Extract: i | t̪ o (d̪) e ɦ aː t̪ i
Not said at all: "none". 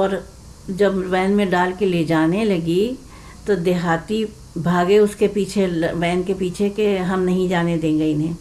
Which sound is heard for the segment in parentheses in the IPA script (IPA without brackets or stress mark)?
d̪